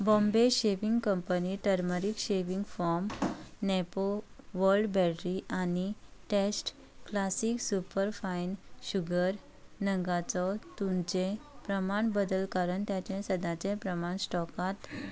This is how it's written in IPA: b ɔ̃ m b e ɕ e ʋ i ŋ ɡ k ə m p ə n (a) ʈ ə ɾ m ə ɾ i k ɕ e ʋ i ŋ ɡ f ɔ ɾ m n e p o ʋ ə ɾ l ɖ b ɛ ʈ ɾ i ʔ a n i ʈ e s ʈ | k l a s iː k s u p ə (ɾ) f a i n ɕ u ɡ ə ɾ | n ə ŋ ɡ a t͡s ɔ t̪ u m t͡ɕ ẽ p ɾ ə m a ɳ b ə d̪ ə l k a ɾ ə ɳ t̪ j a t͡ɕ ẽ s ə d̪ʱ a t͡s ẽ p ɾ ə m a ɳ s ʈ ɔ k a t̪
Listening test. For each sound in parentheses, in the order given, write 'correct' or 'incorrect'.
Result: incorrect: i, correct

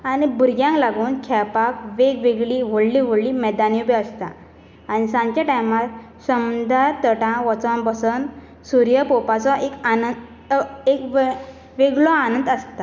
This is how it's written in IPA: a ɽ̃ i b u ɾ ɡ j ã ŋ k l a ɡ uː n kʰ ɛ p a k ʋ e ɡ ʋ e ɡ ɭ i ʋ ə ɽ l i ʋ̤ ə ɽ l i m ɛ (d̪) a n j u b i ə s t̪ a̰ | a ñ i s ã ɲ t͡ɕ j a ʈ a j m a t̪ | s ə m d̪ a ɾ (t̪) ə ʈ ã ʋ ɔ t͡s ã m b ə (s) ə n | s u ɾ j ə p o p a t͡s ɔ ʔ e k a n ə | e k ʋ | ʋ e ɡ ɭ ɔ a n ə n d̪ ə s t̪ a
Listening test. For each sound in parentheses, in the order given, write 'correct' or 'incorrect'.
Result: correct, correct, correct

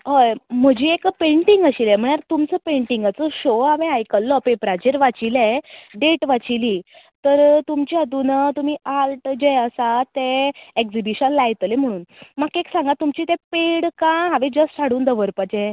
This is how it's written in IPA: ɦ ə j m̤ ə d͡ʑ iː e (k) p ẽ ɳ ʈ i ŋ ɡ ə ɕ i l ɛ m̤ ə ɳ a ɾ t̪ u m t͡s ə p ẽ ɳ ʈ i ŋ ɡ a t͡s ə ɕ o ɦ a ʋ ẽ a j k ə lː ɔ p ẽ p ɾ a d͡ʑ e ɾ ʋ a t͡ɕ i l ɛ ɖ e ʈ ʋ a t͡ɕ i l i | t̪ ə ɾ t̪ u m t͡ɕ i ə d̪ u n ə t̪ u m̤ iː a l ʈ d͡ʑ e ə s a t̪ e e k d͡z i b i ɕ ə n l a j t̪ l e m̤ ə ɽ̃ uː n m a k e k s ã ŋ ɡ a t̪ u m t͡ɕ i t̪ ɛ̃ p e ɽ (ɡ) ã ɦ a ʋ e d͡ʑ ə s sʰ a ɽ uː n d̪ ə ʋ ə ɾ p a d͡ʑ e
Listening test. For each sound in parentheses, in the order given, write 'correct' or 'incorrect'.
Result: correct, incorrect: k

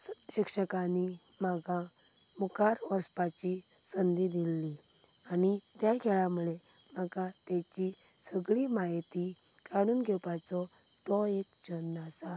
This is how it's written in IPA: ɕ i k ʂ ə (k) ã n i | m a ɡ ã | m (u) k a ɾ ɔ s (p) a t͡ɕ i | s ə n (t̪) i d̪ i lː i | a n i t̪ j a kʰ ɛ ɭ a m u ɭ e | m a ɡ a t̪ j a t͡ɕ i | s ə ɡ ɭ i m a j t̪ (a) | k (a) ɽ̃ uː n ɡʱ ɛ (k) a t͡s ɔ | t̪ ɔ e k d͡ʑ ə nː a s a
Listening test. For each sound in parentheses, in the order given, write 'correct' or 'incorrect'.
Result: correct, correct, correct, incorrect: d̪, incorrect: i, correct, incorrect: p

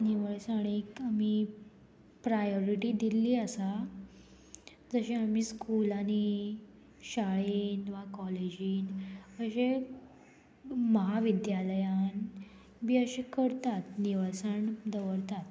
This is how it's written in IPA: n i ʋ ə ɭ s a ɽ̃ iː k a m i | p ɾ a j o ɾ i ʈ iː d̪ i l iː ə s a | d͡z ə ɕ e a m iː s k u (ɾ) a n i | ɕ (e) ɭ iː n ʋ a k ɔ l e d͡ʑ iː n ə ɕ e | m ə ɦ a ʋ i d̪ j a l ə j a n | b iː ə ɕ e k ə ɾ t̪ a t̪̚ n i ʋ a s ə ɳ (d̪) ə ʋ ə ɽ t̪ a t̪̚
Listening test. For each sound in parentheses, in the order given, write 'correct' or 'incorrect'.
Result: incorrect: l, incorrect: a, correct

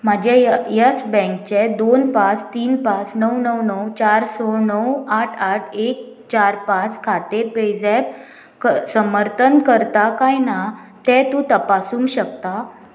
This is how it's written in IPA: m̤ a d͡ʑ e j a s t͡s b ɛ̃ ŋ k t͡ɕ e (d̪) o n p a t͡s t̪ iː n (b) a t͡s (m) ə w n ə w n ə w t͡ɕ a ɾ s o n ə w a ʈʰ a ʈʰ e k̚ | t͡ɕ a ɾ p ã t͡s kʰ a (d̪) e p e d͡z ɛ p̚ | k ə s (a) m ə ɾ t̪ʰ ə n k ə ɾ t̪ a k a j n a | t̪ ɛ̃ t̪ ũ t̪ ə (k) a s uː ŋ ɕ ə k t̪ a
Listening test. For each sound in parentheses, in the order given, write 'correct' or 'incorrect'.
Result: correct, incorrect: p, incorrect: n, incorrect: t̪, incorrect: ə, incorrect: p

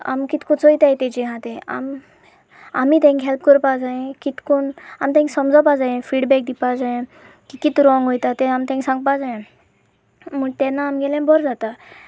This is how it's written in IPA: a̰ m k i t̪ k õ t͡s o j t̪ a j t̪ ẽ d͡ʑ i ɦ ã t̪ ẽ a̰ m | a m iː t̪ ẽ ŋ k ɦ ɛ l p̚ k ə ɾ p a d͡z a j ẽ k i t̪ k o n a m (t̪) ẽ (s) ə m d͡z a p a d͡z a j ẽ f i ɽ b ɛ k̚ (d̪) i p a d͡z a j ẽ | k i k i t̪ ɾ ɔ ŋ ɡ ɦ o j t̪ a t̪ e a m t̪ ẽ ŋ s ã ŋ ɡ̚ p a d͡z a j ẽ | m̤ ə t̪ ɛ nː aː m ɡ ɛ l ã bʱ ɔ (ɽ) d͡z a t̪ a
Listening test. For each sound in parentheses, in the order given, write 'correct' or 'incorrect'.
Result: correct, correct, correct, incorrect: ɾ

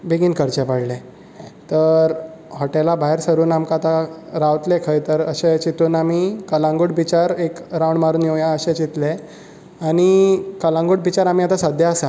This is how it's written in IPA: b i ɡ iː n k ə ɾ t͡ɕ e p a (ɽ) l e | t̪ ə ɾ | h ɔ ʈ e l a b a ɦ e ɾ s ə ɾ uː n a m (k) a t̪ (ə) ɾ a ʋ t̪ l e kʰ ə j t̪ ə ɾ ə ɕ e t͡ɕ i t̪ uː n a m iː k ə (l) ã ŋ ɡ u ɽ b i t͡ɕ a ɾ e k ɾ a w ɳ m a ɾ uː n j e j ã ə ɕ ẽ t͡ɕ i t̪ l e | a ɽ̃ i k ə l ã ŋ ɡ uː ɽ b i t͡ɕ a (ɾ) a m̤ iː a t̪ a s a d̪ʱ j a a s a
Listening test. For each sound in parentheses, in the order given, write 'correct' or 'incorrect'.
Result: correct, correct, incorrect: a, correct, correct

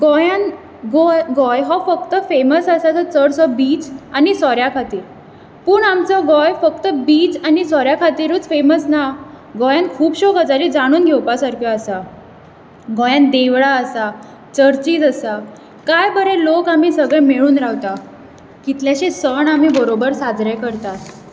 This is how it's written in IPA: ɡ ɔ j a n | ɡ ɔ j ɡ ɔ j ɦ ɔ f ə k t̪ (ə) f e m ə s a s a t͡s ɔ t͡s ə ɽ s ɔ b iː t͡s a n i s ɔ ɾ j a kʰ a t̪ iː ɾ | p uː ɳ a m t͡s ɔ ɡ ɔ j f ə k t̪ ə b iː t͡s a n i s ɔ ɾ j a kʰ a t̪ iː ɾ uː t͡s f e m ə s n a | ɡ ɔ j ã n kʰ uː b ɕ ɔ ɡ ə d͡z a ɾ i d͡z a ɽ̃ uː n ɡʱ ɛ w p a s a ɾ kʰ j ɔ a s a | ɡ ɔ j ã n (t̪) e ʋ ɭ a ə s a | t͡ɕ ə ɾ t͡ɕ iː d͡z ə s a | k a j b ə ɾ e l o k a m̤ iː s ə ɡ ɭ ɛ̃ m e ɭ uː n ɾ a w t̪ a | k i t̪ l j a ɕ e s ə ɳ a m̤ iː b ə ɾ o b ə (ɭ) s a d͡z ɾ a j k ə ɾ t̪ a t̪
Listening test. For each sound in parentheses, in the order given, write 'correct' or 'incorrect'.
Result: correct, incorrect: d̪, incorrect: ɾ

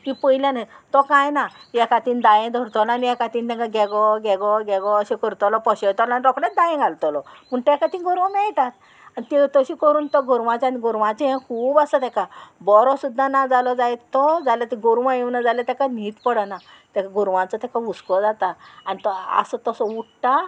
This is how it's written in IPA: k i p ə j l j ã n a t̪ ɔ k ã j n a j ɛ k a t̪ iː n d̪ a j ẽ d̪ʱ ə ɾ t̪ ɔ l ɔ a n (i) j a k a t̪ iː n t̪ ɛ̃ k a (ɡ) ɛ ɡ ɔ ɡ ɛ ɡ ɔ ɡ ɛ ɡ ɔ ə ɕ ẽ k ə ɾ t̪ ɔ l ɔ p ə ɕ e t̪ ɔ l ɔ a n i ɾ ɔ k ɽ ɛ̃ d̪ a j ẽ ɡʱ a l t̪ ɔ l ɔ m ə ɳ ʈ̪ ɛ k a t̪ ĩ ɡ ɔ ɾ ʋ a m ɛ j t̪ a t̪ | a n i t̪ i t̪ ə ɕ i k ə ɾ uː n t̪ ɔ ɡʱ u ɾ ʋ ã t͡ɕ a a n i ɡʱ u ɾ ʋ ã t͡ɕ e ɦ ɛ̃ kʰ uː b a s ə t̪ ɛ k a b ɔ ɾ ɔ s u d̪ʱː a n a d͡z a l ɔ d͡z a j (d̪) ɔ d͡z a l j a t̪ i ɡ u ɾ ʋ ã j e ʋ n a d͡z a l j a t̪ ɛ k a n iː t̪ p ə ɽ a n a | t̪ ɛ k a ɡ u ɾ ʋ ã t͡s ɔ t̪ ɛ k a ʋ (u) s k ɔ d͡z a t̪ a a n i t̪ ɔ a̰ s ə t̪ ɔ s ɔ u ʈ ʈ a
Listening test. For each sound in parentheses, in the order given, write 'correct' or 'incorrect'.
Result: correct, correct, incorrect: t̪, correct

